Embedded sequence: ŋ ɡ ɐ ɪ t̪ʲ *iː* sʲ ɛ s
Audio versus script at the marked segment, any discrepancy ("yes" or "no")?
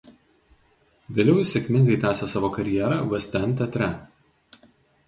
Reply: yes